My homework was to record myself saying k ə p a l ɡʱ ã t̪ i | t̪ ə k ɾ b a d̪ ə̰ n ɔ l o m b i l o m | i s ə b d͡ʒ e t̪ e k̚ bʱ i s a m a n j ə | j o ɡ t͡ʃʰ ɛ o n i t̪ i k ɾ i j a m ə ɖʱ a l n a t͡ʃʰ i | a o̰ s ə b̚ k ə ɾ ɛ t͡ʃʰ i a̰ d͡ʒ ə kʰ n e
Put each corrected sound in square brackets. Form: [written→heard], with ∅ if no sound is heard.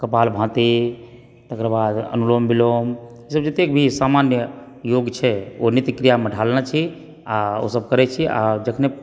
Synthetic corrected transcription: k ə p a l [ɡʱ→bʱ] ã t̪ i | t̪ ə k ɾ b a d̪ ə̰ n [ɔ→u] l o m b i l o m | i s ə b d͡ʒ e t̪ e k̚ bʱ i s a m a n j ə | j o ɡ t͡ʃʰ ɛ o n i t̪ i k ɾ i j a m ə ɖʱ a l n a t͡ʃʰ i | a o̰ s ə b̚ k ə ɾ ɛ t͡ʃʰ i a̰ d͡ʒ ə kʰ n e